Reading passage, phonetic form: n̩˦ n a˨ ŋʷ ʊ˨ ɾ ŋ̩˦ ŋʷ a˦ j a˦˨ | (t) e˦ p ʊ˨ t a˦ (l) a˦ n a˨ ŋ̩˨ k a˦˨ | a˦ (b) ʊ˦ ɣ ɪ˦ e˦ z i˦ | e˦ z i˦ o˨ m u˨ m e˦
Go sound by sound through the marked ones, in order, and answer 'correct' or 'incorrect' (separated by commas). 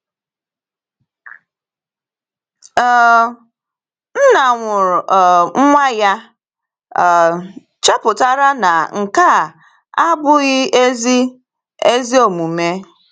incorrect, incorrect, correct